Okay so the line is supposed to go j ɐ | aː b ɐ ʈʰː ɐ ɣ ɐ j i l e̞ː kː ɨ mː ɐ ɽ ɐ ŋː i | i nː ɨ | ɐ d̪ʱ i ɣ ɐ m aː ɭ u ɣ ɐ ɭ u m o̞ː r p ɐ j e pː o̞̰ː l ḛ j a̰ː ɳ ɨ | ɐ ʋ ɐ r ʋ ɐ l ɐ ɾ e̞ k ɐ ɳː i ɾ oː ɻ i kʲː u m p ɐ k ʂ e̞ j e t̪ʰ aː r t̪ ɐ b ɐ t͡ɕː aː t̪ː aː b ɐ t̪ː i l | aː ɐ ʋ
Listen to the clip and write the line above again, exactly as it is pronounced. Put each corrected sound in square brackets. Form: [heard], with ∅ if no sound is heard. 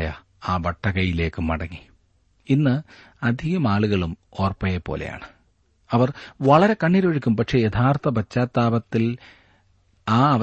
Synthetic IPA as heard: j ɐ | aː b ɐ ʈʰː ɐ ɣ ɐ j i l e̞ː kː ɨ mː ɐ ɽ ɐ ŋː i | i nː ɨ | ɐ d̪ʱ i ɣ ɐ m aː ɭ u ɣ ɐ ɭ u m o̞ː r p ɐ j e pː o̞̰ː l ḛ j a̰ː ɳ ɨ | ɐ ʋ ɐ r ʋ ɐ [ɭ] ɐ ɾ e̞ k ɐ ɳː i ɾ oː ɻ i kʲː u m p ɐ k ʂ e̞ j e t̪ʰ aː r t̪ ɐ b ɐ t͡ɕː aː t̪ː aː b ɐ t̪ː i l | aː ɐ ʋ